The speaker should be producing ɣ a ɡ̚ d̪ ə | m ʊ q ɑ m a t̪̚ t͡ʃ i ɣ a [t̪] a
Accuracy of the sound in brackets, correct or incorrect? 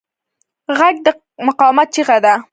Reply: incorrect